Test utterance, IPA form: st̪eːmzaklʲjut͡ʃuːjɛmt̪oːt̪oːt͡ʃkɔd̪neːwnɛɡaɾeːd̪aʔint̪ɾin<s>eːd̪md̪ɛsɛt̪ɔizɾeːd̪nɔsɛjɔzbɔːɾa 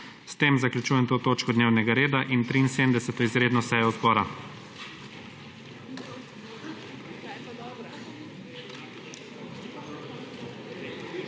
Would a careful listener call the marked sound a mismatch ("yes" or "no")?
no